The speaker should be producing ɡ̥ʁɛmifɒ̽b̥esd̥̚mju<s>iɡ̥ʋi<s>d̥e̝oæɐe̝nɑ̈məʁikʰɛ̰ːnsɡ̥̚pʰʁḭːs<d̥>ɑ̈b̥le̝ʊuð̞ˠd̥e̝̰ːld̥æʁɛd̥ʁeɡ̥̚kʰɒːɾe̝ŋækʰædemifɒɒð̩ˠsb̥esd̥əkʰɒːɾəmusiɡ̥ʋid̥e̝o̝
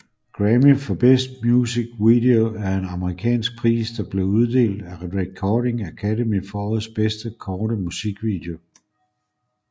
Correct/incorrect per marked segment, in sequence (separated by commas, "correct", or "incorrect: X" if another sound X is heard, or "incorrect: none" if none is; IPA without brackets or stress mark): correct, incorrect: none, correct